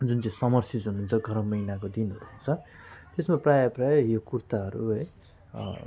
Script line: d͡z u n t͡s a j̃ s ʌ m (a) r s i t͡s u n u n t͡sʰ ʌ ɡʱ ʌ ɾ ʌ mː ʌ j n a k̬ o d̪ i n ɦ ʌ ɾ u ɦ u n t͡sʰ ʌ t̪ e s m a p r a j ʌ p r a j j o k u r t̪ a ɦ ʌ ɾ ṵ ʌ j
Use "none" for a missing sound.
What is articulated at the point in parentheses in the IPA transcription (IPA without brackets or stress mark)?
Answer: ʌ